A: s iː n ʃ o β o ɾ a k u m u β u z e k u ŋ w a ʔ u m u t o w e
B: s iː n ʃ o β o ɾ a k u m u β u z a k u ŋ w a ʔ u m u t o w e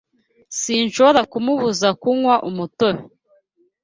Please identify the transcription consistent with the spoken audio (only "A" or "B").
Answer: B